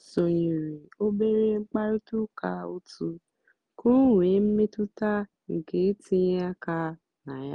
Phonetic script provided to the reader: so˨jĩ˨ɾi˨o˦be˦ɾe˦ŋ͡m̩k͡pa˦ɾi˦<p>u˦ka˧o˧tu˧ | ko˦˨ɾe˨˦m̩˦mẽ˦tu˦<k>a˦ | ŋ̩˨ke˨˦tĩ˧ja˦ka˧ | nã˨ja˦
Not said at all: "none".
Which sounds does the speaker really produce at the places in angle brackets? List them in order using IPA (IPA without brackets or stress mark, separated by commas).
t, t